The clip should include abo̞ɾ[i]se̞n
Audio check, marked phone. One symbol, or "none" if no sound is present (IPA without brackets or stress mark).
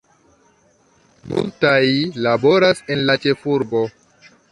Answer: a